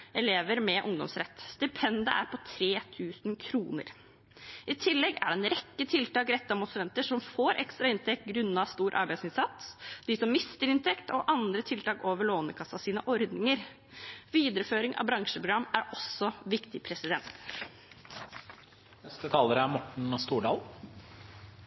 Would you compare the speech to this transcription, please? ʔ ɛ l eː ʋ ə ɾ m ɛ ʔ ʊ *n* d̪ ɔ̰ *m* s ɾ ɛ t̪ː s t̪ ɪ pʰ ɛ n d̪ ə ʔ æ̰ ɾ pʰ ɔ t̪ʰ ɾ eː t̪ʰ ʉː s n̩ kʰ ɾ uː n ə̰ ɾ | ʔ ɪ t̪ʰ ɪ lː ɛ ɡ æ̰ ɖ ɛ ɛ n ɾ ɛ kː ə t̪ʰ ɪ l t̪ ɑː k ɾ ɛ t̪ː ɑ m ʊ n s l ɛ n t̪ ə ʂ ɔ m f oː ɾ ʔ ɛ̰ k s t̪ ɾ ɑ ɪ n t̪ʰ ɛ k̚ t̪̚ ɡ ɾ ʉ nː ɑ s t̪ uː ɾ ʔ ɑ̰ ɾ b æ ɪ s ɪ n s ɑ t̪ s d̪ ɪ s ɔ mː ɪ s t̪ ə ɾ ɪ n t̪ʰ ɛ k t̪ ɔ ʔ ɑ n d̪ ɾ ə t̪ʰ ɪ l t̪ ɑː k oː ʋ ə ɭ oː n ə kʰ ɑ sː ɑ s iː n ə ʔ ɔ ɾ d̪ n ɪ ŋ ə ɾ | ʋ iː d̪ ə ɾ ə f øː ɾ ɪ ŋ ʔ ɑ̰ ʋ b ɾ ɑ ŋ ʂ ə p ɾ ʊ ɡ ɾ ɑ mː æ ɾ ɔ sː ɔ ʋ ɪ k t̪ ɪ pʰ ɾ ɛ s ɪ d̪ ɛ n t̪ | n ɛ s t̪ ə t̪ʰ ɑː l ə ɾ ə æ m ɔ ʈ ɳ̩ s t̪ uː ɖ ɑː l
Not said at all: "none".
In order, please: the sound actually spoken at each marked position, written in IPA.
ŋ, m

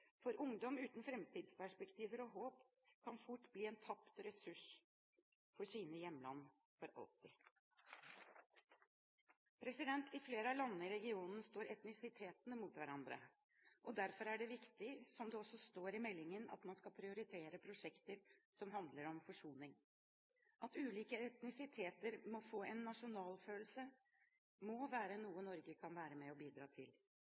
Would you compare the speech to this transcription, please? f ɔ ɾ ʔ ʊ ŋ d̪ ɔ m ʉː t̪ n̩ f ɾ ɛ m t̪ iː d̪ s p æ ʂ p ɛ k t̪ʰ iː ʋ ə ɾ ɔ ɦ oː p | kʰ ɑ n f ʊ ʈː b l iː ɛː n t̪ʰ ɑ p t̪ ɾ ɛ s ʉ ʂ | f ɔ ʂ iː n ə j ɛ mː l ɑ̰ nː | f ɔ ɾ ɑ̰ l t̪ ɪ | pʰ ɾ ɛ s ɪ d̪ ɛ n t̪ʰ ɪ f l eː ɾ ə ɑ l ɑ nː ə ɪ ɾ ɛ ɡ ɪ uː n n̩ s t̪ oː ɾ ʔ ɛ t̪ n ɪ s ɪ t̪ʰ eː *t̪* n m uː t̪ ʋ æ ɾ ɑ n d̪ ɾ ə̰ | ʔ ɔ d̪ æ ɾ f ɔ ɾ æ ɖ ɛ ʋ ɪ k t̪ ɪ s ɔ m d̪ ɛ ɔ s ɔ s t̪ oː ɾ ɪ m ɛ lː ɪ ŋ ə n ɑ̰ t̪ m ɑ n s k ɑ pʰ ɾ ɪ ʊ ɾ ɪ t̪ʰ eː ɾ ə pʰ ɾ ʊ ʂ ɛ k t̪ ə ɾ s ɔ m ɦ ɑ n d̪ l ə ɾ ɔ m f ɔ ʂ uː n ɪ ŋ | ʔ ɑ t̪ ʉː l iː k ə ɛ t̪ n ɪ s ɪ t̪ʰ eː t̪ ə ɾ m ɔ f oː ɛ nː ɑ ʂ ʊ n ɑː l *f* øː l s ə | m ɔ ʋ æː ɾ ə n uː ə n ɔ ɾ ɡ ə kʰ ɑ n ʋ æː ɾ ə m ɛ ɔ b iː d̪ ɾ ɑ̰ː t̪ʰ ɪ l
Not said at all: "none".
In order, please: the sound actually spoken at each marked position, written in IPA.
t̪, f

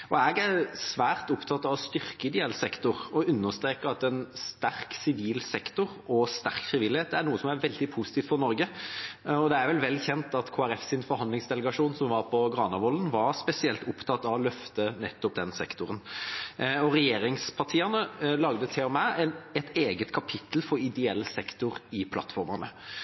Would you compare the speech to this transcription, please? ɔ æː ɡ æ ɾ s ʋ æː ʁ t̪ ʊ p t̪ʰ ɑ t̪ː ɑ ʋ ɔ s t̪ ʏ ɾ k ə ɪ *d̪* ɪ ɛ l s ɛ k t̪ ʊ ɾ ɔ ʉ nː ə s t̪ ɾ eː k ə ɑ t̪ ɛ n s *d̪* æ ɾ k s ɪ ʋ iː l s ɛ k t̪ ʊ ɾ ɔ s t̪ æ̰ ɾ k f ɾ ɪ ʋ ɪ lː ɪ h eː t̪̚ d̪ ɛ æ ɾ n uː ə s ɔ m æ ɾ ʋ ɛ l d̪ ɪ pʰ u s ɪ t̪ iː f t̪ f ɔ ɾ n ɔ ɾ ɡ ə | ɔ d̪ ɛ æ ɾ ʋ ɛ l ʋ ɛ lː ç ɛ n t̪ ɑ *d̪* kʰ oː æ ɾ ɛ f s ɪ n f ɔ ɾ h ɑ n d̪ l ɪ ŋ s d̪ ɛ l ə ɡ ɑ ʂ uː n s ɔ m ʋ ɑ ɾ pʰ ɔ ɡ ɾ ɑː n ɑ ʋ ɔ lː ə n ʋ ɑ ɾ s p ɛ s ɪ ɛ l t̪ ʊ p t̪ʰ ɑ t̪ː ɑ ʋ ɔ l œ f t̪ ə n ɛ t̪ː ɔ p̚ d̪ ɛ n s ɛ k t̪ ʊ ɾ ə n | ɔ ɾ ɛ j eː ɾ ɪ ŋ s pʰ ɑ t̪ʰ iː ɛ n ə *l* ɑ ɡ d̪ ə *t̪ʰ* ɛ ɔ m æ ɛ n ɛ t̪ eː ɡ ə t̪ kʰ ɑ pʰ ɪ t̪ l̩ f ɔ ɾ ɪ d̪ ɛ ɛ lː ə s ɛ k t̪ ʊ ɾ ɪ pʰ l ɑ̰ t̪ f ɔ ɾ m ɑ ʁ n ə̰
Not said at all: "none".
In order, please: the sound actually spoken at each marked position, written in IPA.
d̪, t̪, t̪, l, t̪ʰ

